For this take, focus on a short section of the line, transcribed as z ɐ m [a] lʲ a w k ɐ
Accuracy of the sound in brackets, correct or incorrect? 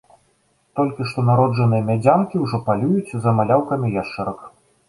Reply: correct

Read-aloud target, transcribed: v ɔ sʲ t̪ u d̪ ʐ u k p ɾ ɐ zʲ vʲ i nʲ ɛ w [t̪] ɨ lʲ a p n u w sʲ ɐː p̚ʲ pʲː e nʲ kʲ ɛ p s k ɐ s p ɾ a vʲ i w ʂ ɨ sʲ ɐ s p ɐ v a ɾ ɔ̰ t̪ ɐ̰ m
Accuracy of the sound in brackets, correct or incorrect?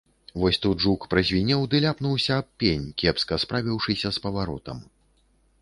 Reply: incorrect: d̪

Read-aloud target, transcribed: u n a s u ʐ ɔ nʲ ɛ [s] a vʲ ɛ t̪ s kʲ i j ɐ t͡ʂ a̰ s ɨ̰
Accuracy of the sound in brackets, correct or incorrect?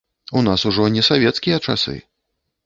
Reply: correct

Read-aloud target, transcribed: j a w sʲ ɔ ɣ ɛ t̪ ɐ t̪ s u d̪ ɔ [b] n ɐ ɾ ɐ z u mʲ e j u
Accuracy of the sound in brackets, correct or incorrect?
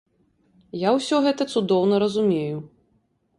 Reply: incorrect: w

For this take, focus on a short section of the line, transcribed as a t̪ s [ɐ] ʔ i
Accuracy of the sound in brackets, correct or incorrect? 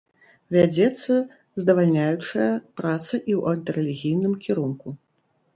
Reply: correct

